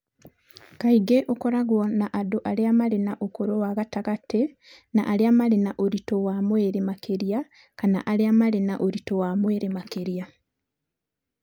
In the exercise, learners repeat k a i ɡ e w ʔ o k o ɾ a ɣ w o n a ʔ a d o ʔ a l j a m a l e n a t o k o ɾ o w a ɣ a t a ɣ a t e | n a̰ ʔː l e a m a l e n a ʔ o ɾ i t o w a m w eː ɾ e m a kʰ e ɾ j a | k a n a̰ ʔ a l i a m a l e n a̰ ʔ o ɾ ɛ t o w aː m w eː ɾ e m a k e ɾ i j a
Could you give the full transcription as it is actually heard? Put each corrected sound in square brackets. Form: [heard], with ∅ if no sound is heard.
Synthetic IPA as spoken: k a i ɡ e [∅] ʔ o k o ɾ a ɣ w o n a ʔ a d o ʔ a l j a m a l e n a [ʔ] o k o ɾ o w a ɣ a t a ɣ a t e | n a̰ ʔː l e a m a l e n a ʔ o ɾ i t o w a m w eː ɾ e m a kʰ e ɾ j a | k a n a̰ ʔ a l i a m a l e n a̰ ʔ o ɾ [i] t o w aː m w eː ɾ e m a k e ɾ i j a